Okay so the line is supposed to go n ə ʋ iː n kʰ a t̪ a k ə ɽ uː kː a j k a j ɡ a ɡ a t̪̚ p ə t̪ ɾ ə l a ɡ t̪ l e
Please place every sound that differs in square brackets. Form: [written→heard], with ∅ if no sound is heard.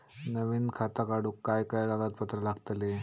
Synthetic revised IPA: n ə ʋ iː n kʰ a t̪ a k [ə→a] ɽ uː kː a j k a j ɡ a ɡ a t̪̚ p ə t̪ ɾ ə l a ɡ t̪ l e